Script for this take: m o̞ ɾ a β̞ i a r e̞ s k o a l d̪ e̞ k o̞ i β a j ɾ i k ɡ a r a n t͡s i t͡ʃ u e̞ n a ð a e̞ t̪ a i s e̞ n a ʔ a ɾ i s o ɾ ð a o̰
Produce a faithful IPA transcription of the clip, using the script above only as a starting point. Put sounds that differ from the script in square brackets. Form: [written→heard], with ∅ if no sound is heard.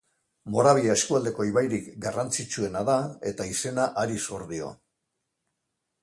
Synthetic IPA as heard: m o̞ ɾ a β̞ i a [r→∅] e̞ s k [o→u] a l d̪ e̞ k o̞ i β a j ɾ i k ɡ a r a n t͡s i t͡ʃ u e̞ n a ð a e̞ t̪ a i s e̞ n a ʔ a ɾ i s o ɾ ð [a→i] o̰